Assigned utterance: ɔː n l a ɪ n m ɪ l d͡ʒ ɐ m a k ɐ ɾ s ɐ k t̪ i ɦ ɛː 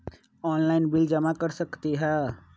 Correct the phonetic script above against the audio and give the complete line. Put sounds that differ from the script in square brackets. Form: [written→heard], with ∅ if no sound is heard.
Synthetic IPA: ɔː n l a ɪ n [m→b] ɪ l d͡ʒ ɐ m a k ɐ ɾ s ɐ k t̪ i ɦ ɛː